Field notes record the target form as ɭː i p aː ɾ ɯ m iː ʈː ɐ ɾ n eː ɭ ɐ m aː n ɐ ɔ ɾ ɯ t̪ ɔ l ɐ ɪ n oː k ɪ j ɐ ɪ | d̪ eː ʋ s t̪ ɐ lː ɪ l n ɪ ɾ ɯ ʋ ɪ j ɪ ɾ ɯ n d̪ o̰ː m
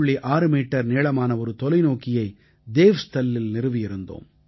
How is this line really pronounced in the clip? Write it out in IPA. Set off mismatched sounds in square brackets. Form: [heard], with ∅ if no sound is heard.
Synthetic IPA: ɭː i [ʔ] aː ɾ ɯ m iː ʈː ɐ ɾ n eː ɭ ɐ m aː n ɐ ɔ ɾ ɯ t̪ ɔ l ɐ ɪ n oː k ɪ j ɐ ɪ | d̪ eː ʋ s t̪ ɐ lː ɪ l n ɪ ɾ ɯ ʋ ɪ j ɪ ɾ ɯ n d̪ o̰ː m